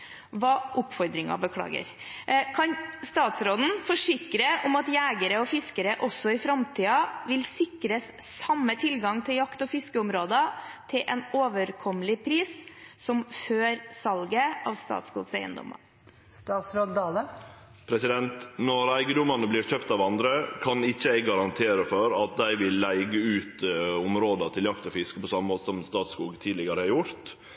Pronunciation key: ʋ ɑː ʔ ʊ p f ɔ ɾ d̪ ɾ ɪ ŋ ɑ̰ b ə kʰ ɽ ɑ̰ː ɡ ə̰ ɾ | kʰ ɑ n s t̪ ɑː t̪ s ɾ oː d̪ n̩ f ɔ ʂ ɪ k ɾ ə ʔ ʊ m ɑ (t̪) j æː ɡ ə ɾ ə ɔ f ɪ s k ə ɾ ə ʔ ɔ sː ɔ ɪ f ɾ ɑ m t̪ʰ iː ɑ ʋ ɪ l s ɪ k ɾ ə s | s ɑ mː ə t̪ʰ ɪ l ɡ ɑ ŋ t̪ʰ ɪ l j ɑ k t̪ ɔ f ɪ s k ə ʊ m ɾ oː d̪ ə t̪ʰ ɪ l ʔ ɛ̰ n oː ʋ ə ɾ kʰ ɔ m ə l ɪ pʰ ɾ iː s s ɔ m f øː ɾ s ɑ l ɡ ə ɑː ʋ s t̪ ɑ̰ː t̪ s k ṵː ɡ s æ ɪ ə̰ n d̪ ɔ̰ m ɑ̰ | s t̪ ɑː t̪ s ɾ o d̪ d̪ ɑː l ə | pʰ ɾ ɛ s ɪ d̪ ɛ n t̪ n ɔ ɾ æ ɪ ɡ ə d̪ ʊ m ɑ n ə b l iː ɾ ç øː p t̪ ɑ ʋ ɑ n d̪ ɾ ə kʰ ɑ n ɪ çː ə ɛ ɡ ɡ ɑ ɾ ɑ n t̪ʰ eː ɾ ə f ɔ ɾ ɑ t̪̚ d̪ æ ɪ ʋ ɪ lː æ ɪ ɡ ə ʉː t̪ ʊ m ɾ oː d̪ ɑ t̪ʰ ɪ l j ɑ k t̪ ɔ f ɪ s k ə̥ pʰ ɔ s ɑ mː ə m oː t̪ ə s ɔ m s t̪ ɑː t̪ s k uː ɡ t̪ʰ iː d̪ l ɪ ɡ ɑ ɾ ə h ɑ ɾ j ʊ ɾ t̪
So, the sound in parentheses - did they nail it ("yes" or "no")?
yes